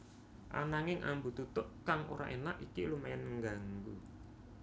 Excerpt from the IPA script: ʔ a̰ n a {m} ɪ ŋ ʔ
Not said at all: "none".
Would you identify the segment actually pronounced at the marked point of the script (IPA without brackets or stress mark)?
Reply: ŋ